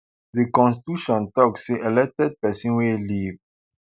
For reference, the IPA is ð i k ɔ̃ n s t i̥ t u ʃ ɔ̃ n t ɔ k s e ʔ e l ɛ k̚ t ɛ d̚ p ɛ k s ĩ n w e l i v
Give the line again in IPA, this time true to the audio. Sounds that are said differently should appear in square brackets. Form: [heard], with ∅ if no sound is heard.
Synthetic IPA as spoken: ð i k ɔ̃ n s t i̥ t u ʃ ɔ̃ n t ɔ k s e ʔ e l ɛ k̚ t ɛ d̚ p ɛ [∅] s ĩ n w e l i v